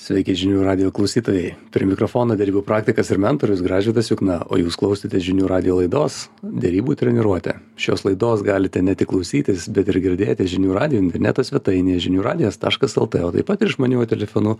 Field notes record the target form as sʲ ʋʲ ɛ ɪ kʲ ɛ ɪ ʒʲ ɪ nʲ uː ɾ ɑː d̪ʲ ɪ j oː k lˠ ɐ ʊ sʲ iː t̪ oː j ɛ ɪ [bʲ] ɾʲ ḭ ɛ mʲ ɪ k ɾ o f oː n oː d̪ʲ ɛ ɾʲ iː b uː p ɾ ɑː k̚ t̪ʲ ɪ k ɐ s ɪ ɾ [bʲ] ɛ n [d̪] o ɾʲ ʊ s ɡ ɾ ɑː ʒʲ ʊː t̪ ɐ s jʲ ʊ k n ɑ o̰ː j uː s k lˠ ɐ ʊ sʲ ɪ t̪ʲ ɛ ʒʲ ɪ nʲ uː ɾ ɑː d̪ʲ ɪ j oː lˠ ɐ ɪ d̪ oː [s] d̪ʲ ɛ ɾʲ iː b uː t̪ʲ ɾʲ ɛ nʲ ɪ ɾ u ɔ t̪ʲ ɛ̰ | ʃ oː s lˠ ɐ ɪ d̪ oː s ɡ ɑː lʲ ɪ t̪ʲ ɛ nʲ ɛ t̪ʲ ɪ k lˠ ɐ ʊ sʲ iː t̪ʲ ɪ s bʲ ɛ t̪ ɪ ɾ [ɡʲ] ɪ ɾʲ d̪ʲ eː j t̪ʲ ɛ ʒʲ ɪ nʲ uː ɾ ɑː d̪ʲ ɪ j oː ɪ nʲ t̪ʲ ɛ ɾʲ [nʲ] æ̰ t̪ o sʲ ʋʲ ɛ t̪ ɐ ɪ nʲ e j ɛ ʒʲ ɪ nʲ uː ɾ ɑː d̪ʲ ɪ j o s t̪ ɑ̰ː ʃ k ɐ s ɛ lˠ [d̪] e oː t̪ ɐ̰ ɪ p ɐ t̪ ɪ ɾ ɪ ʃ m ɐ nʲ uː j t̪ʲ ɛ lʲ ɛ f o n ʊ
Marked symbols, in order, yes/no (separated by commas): no, no, no, yes, yes, yes, no